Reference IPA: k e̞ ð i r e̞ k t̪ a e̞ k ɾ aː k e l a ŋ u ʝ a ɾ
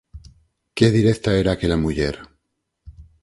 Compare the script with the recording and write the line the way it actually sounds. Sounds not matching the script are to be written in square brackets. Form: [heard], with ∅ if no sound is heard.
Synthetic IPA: k e̞ ð i [ɾ] e̞ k t̪ a e̞ [∅] ɾ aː k e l a [m] u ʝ [e] ɾ